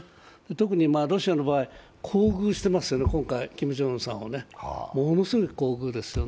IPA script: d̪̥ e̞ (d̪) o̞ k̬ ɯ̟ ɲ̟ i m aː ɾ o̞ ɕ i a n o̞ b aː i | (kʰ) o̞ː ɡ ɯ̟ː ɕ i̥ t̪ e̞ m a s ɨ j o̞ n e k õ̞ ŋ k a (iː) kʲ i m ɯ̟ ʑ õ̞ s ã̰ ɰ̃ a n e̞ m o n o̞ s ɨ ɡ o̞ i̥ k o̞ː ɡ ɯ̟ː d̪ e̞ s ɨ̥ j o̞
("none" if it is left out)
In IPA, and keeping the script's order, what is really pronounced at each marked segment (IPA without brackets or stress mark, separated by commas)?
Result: t̪, kʰ, i